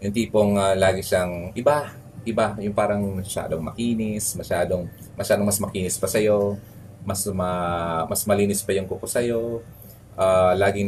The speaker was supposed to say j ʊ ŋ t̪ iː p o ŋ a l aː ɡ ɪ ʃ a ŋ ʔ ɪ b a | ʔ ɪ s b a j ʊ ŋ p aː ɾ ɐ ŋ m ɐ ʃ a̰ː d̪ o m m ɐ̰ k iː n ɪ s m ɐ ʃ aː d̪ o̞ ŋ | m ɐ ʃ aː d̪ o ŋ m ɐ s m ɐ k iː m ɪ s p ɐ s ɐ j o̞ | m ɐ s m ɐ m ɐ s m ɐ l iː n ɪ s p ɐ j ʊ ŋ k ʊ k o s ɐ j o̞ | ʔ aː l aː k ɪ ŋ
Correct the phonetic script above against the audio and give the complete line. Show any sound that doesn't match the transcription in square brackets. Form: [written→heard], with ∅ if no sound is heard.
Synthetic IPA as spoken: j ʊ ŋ t̪ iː p o ŋ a l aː ɡ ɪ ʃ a ŋ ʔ ɪ b a | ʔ ɪ [s→∅] b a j ʊ ŋ p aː ɾ ɐ ŋ m ɐ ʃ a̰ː d̪ o [m→ŋ] m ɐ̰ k iː n ɪ s m ɐ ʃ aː d̪ o̞ ŋ | m ɐ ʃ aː d̪ o ŋ m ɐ s m ɐ k iː [m→n] ɪ s p ɐ s ɐ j o̞ | m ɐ s m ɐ m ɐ s m ɐ l iː n ɪ s p ɐ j ʊ ŋ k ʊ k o s ɐ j o̞ | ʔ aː l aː [k→ɡ] ɪ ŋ